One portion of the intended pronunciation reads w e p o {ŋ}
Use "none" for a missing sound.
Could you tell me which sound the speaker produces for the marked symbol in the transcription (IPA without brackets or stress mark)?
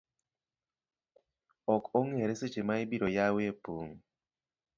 ŋ